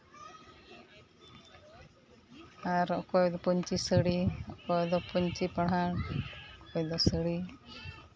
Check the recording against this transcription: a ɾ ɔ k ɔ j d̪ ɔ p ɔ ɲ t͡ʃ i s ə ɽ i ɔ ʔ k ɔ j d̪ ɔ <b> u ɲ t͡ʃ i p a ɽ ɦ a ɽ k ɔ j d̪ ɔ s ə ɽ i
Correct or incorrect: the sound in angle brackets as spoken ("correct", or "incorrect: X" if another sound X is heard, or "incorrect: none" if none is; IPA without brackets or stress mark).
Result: incorrect: p